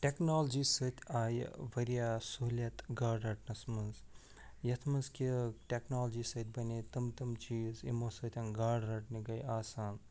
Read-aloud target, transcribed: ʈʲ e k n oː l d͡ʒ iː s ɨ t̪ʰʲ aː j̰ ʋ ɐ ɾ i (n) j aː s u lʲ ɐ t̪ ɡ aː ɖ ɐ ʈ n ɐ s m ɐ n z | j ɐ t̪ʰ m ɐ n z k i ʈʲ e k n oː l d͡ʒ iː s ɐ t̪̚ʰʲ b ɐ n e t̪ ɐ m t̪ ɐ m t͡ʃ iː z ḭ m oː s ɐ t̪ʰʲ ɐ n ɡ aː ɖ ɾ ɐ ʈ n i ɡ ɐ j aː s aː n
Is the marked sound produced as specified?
no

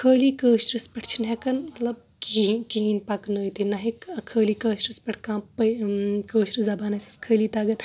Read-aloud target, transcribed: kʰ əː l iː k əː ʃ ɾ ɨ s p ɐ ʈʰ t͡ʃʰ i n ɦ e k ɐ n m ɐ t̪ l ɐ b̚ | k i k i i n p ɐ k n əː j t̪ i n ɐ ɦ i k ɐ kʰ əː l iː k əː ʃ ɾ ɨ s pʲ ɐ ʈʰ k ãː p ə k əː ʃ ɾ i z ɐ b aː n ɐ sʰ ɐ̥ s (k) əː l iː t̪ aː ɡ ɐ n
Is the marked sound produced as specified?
no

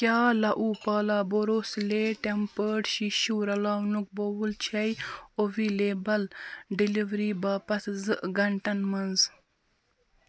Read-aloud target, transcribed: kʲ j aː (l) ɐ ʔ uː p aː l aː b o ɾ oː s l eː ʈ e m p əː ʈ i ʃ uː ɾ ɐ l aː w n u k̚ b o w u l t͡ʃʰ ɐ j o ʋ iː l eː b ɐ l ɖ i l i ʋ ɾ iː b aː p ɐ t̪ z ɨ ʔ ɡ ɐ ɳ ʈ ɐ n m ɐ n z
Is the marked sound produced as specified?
yes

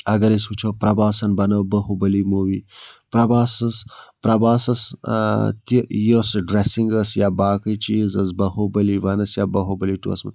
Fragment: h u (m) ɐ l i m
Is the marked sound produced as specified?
no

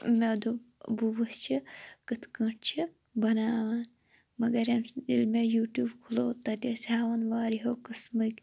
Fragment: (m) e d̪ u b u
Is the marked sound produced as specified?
yes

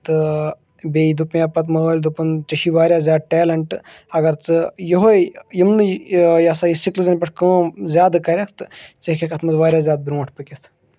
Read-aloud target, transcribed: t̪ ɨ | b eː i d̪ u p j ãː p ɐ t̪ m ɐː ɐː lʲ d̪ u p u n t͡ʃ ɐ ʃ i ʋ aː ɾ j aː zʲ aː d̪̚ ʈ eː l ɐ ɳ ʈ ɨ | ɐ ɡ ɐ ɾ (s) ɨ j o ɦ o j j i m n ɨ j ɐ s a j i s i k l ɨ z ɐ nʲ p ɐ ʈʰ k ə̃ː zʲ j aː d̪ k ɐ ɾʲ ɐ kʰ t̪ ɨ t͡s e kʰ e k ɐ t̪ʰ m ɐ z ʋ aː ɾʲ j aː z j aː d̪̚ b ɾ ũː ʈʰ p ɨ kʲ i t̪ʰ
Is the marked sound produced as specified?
no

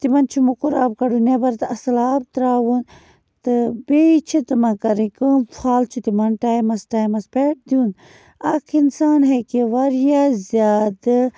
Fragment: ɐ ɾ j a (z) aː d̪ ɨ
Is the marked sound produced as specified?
yes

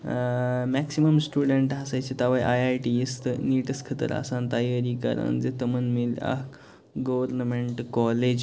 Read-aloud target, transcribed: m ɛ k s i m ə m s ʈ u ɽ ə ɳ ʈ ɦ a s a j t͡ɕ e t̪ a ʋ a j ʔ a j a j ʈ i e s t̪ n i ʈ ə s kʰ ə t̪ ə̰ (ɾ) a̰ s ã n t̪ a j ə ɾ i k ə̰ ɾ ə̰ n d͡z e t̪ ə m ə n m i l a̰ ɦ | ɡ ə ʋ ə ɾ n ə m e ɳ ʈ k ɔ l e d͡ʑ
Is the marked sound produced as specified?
yes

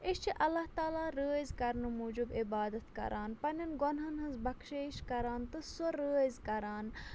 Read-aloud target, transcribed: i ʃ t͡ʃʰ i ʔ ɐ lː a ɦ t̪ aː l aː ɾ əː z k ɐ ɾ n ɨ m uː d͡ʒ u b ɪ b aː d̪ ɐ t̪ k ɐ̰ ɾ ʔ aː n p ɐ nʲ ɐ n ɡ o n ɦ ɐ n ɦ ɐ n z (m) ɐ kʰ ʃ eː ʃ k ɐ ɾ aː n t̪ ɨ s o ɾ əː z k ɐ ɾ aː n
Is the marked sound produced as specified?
no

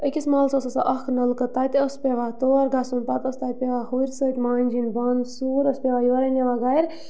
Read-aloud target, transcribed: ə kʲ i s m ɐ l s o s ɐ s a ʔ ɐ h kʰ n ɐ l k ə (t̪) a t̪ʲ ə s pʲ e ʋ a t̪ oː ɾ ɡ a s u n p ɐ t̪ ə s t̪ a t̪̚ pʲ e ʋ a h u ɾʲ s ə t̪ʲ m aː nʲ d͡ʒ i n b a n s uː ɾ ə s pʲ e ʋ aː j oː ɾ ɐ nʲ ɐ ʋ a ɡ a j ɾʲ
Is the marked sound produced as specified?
yes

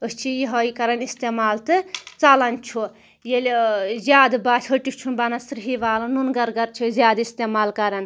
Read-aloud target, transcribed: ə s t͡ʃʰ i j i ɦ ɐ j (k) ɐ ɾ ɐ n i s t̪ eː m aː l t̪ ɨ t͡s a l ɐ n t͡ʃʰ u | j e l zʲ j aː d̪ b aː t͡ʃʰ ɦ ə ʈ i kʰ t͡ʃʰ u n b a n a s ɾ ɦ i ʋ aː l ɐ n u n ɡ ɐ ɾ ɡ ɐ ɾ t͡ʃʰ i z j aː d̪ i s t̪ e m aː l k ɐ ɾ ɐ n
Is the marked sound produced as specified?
yes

